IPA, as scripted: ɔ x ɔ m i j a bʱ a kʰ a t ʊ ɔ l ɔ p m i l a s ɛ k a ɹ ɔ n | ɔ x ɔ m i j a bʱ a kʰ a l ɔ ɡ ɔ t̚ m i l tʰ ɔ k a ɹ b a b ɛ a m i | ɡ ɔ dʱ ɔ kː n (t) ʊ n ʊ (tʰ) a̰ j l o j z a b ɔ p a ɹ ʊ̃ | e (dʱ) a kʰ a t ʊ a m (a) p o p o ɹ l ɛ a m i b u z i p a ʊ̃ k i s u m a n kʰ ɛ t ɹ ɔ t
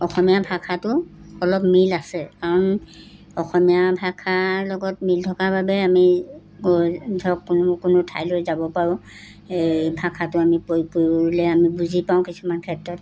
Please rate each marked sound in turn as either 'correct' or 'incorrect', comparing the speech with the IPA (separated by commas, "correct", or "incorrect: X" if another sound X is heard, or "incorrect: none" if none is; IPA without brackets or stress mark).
incorrect: k, correct, incorrect: bʱ, incorrect: i